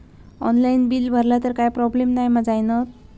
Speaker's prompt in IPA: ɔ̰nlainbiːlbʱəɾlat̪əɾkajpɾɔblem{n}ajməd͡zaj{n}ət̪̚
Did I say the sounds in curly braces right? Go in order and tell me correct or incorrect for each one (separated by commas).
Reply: correct, correct